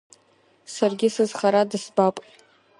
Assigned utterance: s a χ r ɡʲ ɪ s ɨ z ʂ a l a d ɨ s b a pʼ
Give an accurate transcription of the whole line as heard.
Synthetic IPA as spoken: s a r ɡʲ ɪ s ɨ z χ a ɾ a d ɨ s b a pʼ